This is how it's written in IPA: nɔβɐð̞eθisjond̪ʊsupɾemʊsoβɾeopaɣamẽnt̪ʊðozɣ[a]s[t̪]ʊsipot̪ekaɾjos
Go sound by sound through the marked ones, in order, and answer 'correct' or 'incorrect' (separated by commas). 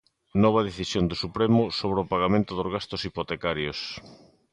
correct, correct